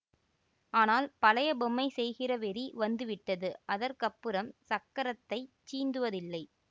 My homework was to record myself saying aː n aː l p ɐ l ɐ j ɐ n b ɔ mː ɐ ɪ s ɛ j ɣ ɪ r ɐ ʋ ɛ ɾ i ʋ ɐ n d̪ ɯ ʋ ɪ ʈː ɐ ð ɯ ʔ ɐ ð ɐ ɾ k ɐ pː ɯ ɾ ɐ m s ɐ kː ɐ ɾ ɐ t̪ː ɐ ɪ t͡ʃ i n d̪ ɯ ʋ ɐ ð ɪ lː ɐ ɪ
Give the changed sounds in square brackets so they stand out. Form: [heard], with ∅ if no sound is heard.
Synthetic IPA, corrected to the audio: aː n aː l p ɐ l ɐ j ɐ [∅] b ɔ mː ɐ ɪ s ɛ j ɣ ɪ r ɐ ʋ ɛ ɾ i ʋ ɐ n d̪ ɯ ʋ ɪ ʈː ɐ ð ɯ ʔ ɐ ð ɐ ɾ k ɐ pː ɯ ɾ ɐ m s ɐ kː ɐ ɾ ɐ t̪ː ɐ ɪ t͡ʃ [iː] n d̪ ɯ ʋ ɐ ð ɪ lː ɐ ɪ